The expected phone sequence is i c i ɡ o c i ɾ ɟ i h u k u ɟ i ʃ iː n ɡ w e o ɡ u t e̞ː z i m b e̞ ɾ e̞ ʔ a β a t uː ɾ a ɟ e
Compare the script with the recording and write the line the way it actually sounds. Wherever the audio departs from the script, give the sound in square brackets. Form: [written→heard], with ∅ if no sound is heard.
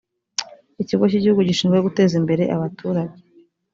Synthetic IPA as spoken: i c i ɡ o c i [ɾ→∅] ɟ i h u [k→ɡ] u ɟ i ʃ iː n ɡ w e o ɡ u t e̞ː z i m b e̞ ɾ e̞ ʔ a β a t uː ɾ a ɟ e